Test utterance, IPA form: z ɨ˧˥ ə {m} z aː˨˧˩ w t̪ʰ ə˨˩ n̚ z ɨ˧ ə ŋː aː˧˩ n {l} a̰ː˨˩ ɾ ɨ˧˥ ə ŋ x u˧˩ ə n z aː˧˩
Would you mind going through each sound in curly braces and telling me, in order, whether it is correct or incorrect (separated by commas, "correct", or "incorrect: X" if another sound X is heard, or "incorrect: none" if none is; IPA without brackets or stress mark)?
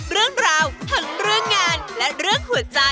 incorrect: ŋ, correct